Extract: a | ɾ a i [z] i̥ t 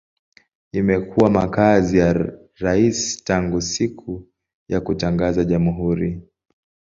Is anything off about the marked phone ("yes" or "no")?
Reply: yes